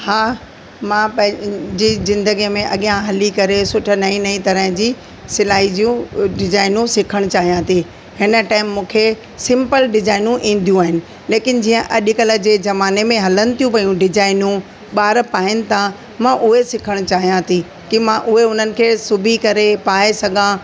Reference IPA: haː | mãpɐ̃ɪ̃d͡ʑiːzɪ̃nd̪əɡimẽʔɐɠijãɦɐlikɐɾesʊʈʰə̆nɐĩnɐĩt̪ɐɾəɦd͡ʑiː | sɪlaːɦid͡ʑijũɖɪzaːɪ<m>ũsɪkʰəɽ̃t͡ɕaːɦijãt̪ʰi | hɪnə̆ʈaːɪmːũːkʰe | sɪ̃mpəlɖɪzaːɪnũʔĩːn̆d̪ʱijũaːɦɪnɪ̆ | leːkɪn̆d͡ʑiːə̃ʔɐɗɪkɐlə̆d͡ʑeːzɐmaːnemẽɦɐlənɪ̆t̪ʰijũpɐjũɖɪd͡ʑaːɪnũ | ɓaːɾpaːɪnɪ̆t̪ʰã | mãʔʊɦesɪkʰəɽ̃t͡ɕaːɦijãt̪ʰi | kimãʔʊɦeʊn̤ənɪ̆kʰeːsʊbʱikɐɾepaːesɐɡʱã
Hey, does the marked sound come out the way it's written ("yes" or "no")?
no